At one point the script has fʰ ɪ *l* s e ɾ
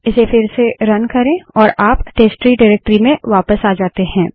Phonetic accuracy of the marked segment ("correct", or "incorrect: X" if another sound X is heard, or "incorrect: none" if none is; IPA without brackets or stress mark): incorrect: ɾ